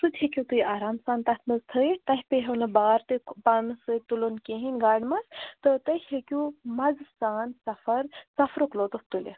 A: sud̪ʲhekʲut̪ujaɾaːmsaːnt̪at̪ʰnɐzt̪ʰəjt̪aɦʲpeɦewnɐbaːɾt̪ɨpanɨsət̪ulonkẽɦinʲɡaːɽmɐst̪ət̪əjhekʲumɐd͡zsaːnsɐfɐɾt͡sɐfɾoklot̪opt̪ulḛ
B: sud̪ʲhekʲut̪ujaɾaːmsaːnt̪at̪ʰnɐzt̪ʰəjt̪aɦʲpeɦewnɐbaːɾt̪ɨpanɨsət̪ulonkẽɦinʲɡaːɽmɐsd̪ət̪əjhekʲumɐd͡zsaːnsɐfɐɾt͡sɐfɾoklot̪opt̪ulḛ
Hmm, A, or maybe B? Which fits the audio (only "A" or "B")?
A